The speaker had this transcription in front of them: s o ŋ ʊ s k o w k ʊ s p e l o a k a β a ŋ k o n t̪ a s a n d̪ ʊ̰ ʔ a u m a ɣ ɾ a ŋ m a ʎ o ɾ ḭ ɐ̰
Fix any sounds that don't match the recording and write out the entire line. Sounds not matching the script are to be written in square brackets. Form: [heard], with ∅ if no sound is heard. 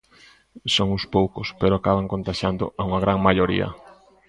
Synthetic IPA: s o ŋ ʊ s [p] o w k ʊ s p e [ɾ] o a k a β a ŋ k o n t̪ a [ʃ] a n d̪ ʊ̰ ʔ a u [ŋ] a ɣ ɾ a ŋ m a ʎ o ɾ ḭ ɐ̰

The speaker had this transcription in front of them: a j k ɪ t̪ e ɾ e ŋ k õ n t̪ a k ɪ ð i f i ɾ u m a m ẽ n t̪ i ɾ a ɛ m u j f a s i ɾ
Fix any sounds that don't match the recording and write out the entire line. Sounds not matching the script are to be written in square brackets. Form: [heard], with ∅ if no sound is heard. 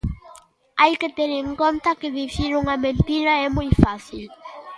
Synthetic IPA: a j k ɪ t̪ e ɾ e ŋ k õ n t̪ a k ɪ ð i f i ɾ u [ŋ] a m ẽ n t̪ i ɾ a ɛ m u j f a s i [l]

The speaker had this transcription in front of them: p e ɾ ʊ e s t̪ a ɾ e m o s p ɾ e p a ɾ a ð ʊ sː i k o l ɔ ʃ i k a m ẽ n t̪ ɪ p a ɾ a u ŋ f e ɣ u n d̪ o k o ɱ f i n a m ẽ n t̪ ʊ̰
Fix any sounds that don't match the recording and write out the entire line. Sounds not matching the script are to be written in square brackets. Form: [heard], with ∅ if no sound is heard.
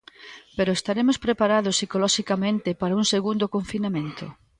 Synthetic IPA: p e ɾ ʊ e s t̪ a ɾ e m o s p ɾ e p a ɾ a ð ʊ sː i k o l ɔ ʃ i k a m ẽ n t̪ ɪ p a ɾ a u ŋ [s] e ɣ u n d̪ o k o ɱ f i n a m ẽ n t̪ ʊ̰

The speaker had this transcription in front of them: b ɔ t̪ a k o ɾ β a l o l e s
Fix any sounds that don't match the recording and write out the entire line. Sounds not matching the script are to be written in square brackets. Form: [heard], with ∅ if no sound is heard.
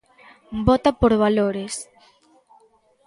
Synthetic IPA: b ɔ t̪ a [p] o ɾ β a l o [ɾ] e s

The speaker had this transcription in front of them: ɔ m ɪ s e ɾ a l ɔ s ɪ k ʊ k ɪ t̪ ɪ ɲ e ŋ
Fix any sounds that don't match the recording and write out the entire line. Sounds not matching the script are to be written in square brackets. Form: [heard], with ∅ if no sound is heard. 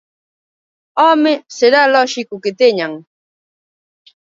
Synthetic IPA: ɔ m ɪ s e ɾ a l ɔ [ʃ] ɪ k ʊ k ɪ t̪ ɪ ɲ [a] ŋ

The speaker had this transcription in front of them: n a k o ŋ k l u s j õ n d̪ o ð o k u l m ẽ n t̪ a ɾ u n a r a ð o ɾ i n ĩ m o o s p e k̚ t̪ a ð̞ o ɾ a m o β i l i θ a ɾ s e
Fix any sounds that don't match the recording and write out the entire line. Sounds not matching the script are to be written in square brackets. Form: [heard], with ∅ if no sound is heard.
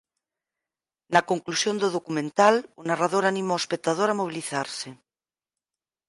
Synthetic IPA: n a k o ŋ k l u s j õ n d̪ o ð o k u [∅] m ẽ n t̪ a [l] u n a r a ð o ɾ [a] n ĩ m o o s p e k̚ t̪ a ð̞ o ɾ a m o β i l i θ a ɾ s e

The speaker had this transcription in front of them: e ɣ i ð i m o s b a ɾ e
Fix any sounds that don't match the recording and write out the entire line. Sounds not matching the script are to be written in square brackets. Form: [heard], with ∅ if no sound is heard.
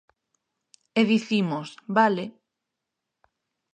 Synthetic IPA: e [ð] i [θ] i m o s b a [l] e

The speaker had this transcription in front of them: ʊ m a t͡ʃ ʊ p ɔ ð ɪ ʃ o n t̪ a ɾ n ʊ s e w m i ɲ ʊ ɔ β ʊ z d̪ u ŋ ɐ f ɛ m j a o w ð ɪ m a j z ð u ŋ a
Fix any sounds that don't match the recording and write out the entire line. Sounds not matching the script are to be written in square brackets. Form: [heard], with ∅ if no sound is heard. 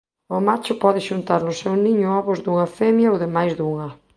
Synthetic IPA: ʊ m a t͡ʃ ʊ p ɔ ð ɪ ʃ [u] n t̪ a ɾ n ʊ s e w [n] i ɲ ʊ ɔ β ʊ z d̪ u ŋ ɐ f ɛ m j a o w ð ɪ m a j z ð u ŋ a

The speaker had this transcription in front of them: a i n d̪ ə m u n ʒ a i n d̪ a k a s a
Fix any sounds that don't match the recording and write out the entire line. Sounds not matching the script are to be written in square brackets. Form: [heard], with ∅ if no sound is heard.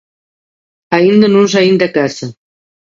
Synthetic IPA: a i n d̪ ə [n] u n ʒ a i n d̪ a k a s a

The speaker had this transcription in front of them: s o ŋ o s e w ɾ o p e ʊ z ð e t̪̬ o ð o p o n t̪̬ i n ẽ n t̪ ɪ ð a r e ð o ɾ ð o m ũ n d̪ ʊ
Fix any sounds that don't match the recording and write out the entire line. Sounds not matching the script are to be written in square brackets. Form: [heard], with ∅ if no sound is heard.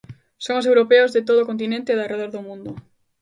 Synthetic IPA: s o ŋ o s e w ɾ o p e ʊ z ð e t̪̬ o ð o [k] o n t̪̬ i n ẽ n t̪ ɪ ð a r e ð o ɾ ð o m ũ n d̪ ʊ

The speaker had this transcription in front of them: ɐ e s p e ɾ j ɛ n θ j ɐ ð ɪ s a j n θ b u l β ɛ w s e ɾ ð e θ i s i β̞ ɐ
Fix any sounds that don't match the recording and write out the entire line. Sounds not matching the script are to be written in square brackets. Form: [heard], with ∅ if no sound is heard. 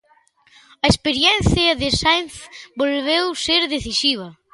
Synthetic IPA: ɐ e s p e ɾ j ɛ n θ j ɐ ð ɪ s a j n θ b [o] l β [e] w s e ɾ ð e θ i s i β̞ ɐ

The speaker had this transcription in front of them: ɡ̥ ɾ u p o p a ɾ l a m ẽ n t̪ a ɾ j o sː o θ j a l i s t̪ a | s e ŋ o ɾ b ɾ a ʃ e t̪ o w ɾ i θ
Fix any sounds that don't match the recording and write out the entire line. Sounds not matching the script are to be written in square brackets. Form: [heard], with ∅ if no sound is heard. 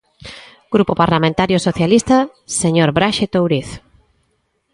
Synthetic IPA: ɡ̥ ɾ u p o p a ɾ l a m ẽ n t̪ a ɾ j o [s] o θ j a l i s t̪ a | s e [ɲ] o ɾ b ɾ a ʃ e t̪ o w ɾ i θ

